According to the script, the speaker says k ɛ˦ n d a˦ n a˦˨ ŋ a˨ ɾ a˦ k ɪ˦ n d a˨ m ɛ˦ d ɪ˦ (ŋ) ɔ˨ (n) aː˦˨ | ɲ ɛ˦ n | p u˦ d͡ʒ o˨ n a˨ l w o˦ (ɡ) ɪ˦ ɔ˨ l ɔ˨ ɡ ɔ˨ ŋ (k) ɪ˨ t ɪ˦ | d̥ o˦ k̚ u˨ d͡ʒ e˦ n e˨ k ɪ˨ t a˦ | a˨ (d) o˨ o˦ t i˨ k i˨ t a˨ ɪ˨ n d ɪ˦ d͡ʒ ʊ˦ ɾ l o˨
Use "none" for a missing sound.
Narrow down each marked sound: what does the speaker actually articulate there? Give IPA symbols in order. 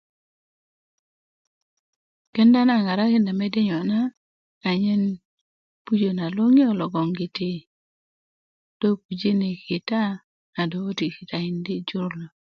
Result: ɲ, n, ŋ, ɡ, d

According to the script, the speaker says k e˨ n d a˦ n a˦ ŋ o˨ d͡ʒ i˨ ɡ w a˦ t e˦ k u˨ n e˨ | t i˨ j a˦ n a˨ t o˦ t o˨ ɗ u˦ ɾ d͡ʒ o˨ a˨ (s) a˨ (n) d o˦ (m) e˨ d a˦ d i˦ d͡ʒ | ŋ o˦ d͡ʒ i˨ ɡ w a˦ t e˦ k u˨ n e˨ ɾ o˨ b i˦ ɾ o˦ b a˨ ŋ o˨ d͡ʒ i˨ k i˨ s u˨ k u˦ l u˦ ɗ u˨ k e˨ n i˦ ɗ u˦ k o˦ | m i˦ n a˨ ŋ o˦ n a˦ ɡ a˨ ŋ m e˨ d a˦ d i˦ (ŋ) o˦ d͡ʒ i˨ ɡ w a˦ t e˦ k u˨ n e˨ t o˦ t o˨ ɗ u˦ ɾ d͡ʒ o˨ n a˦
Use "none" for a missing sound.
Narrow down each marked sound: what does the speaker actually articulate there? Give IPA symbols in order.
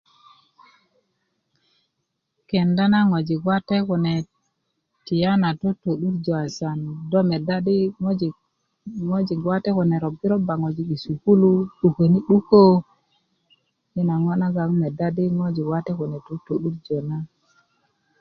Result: s, n, m, ŋ

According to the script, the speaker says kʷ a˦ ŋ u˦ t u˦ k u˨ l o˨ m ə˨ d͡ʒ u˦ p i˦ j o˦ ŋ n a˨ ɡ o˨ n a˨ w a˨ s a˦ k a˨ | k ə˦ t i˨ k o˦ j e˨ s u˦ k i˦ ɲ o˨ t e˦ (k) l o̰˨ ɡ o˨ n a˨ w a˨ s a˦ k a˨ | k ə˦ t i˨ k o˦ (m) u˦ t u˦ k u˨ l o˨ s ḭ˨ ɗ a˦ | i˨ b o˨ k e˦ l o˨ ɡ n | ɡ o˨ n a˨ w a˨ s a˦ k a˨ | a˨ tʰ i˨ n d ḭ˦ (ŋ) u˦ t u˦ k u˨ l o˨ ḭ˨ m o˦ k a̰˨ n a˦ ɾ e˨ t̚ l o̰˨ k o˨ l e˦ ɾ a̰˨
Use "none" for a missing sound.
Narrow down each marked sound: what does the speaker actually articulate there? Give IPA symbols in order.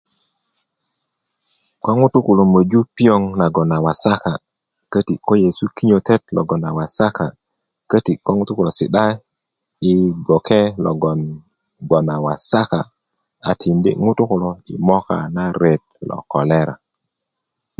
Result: t, ŋ, ŋ

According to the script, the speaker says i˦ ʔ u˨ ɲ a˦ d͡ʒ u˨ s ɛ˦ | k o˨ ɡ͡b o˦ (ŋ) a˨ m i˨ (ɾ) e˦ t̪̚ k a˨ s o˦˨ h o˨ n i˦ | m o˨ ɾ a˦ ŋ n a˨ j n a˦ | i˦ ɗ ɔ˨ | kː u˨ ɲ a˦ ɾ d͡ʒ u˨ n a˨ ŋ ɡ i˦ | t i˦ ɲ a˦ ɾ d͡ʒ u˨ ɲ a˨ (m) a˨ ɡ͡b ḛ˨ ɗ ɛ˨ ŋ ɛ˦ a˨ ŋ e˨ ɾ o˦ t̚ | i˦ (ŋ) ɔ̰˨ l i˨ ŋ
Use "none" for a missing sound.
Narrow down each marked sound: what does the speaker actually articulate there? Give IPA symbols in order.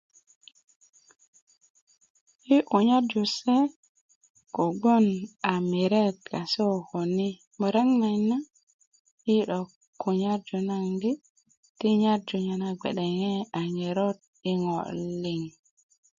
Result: n, ɾ, n, ŋ

